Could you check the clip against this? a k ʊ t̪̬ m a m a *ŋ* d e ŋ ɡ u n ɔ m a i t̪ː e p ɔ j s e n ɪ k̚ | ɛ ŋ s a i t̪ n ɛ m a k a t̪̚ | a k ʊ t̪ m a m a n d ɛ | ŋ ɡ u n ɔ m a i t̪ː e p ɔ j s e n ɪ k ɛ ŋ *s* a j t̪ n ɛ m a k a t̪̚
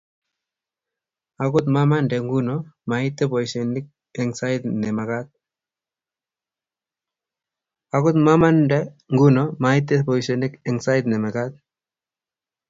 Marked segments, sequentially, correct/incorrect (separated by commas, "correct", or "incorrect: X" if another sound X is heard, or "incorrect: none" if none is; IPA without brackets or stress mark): incorrect: n, correct